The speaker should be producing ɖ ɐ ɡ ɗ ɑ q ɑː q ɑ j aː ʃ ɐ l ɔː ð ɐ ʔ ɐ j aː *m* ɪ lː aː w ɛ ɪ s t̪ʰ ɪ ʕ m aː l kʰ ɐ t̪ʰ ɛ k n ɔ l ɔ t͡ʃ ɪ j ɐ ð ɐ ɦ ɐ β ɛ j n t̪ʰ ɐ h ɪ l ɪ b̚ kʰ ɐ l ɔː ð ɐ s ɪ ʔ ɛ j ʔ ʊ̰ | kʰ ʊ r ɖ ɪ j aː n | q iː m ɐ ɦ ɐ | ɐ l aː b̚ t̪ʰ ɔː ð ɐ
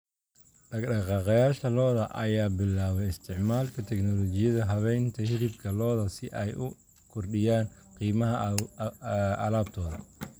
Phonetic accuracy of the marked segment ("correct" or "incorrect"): incorrect